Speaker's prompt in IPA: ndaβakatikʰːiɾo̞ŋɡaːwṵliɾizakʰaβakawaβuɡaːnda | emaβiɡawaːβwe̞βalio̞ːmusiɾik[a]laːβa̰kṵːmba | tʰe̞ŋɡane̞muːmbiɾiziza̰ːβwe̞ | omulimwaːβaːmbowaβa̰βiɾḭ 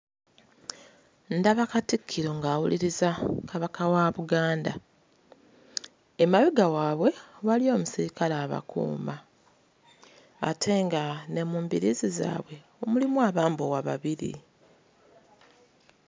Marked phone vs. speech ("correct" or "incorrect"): correct